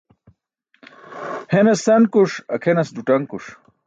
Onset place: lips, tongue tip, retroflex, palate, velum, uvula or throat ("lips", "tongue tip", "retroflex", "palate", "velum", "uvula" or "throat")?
throat